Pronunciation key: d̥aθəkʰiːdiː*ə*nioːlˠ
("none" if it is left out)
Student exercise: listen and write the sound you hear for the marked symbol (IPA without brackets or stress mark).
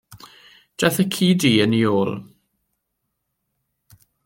ə